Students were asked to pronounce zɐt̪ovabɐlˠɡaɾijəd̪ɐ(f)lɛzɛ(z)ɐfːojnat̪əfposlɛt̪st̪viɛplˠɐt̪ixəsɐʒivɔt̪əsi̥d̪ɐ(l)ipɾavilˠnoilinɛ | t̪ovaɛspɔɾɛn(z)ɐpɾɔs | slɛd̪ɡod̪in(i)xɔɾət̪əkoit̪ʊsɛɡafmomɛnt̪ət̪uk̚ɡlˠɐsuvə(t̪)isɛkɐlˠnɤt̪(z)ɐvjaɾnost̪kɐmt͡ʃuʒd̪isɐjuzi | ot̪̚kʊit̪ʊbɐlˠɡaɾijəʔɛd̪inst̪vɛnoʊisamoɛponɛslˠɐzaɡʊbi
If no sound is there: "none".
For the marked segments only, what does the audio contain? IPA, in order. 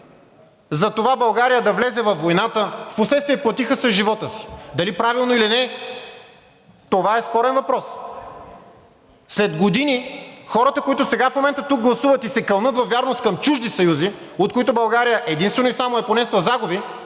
v, v, l, v, i, t̪, v

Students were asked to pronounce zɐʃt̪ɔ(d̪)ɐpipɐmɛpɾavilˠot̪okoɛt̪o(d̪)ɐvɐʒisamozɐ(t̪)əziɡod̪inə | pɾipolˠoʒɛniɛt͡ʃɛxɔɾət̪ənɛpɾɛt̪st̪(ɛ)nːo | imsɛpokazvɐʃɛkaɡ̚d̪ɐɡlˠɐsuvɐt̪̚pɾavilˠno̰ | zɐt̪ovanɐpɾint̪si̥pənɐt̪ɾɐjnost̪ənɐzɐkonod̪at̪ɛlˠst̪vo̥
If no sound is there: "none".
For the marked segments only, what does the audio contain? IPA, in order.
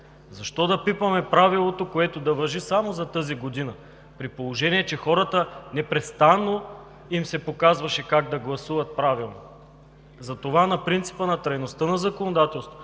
d̪, d̪, t̪, a

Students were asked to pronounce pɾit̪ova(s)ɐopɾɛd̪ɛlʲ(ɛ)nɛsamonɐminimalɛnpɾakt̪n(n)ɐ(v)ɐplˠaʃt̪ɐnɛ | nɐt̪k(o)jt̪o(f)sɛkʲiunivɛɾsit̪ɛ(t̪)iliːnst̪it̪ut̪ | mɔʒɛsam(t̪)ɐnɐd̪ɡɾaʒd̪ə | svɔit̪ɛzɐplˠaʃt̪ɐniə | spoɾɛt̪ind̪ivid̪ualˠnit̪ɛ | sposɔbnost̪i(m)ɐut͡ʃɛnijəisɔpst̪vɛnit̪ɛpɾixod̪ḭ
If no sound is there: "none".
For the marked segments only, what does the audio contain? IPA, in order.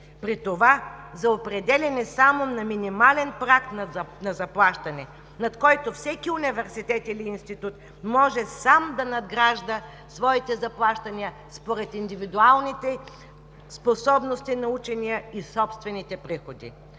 z, ɛ, n, z, ɔ, f, t̪, d̪, n

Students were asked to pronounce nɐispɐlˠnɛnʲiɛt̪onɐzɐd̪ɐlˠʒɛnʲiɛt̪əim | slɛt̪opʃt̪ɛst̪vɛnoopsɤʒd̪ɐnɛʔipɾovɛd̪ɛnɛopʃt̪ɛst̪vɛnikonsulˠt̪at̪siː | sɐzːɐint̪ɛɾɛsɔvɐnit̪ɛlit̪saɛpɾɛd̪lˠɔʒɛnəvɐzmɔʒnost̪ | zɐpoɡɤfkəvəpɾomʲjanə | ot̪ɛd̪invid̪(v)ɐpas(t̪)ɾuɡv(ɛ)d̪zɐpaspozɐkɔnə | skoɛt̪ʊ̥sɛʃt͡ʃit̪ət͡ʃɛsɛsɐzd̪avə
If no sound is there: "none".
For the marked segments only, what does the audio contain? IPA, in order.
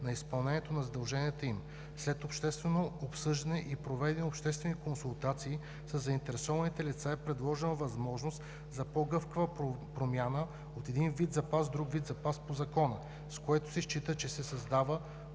z, d̪, i

